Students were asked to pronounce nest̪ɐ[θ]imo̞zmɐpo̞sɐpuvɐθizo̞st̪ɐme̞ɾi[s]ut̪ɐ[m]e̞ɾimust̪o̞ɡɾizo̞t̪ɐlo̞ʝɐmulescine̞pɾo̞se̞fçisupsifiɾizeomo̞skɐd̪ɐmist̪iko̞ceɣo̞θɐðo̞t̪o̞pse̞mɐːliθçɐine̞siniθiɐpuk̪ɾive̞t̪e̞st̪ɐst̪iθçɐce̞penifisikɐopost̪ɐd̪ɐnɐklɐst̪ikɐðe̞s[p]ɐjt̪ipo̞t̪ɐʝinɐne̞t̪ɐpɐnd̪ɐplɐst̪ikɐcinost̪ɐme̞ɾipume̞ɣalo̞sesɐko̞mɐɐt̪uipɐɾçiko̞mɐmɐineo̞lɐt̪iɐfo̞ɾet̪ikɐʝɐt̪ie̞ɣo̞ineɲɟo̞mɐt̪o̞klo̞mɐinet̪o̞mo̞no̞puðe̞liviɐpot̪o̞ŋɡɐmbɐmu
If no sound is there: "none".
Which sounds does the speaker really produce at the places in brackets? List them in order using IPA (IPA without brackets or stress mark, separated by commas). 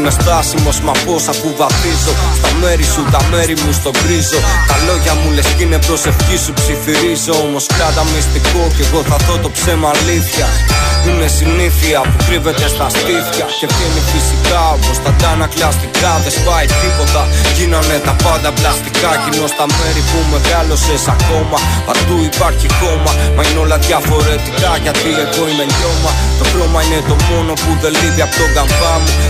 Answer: s, s, m, p